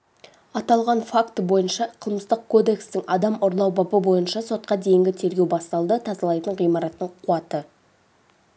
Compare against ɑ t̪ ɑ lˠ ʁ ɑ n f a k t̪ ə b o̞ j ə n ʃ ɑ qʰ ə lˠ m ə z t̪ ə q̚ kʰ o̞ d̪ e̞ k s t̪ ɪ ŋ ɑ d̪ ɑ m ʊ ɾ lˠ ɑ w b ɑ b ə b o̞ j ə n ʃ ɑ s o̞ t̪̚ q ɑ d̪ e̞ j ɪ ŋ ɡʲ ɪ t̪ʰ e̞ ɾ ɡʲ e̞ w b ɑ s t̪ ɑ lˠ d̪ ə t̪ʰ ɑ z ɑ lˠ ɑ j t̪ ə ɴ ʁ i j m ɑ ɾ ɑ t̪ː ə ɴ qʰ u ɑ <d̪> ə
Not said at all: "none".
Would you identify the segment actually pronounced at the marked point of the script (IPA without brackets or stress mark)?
t̪